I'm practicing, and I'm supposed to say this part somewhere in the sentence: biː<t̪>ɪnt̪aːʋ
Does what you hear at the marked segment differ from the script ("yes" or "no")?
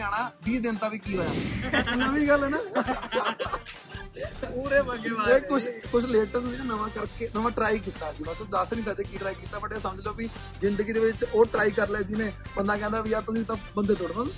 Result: yes